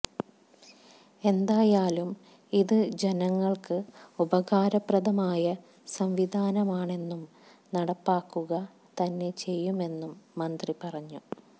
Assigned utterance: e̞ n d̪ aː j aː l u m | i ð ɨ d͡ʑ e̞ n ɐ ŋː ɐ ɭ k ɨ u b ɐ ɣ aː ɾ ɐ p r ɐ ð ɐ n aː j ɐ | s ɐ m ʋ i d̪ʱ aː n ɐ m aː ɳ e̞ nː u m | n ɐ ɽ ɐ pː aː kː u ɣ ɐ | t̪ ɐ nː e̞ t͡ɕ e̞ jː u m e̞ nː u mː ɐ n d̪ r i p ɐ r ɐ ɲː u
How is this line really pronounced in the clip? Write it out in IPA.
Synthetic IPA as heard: e̞ n d̪ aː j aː l u m | i ð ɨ d͡ʑ e̞ n ɐ ŋː ɐ ɭ k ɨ u b ɐ ɣ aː ɾ ɐ p r ɐ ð ɐ m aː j ɐ | s ɐ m ʋ i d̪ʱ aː n ɐ m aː ɳ e̞ nː u m | n ɐ ɽ ɐ pː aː kː u ɣ ɐ | t̪ ɐ nː e̞ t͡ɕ e̞ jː u m e̞ nː u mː ɐ n d̪ r i p ɐ r ɐ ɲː u